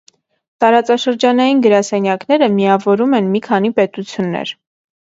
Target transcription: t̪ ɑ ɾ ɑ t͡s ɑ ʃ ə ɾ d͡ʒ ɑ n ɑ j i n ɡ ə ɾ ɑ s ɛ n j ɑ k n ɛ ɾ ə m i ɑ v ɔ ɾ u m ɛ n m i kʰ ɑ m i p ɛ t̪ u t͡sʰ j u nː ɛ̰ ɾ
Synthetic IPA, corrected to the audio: t̪ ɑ ɾ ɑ t͡s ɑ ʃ ə ɾ d͡ʒ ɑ n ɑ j i n ɡ ə ɾ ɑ s ɛ n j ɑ k n ɛ ɾ ə m i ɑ v ɔ ɾ u m ɛ n m i kʰ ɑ n i p ɛ t̪ u t͡sʰ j u nː ɛ̰ ɾ